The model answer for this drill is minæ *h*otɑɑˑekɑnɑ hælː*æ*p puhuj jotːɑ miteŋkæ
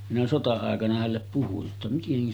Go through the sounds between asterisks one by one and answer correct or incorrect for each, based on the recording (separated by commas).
incorrect, incorrect